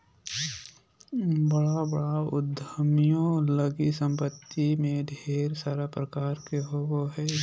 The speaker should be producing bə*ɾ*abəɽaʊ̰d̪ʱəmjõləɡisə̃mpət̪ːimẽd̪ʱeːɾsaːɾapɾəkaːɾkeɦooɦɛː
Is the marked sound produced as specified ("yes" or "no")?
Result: no